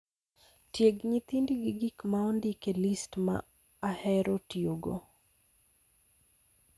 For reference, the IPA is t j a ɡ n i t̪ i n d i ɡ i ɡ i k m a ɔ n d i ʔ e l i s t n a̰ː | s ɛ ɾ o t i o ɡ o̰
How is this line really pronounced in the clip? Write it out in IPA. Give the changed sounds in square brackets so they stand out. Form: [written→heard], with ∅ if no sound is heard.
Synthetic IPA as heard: t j [a→e] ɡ [n→ɲ] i t̪ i n d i ɡ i ɡ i k m a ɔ n d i [ʔ→k] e l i s t [n→m] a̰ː | [s→h] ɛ ɾ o t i o ɡ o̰